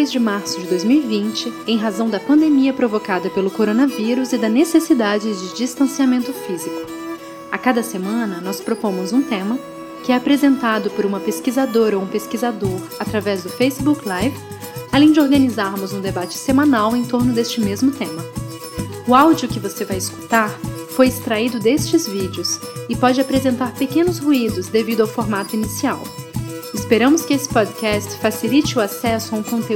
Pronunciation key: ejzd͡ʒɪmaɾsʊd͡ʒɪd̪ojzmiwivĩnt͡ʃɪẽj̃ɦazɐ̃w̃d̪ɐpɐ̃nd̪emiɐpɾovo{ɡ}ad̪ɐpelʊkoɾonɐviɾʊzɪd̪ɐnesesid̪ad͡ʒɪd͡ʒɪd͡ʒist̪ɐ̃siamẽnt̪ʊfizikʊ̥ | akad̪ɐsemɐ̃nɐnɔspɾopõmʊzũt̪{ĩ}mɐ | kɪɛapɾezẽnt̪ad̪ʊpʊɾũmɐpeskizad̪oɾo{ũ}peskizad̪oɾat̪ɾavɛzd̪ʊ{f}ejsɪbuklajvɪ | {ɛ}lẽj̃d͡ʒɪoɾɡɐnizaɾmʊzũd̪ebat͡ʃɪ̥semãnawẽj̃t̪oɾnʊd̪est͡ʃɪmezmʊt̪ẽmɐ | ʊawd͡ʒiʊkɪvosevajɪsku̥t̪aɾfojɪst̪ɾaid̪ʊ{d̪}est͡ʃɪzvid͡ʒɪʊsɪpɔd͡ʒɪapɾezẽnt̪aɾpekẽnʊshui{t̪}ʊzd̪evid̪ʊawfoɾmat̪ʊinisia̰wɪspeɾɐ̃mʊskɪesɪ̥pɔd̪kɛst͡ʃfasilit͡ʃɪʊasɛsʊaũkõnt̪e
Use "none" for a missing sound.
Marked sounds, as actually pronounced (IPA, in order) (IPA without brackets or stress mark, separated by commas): k, ẽ, ũ, f, a, d̪, d̪